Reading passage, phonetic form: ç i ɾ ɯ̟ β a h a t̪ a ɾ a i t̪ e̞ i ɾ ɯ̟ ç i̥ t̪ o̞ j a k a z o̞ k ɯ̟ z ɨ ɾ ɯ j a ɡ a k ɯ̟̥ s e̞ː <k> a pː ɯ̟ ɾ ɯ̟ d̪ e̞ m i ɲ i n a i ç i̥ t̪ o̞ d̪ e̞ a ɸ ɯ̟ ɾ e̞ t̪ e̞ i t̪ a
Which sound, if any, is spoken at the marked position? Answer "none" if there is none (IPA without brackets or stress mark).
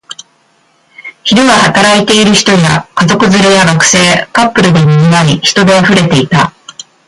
k